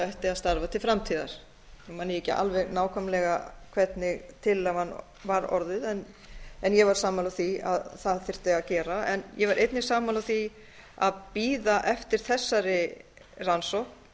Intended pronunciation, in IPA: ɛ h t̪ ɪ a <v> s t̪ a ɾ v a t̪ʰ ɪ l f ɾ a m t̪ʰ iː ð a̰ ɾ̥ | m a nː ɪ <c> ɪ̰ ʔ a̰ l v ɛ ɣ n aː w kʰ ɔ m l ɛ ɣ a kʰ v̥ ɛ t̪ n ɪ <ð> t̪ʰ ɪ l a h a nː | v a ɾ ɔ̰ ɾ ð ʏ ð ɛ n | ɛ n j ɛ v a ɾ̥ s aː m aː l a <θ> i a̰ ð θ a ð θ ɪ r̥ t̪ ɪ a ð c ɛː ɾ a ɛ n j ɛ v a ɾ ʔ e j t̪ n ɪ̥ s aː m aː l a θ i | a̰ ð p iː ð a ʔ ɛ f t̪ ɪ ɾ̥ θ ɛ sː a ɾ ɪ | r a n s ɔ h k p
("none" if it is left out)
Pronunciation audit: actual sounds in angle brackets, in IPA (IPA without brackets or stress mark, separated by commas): ð, c, ɣ, θ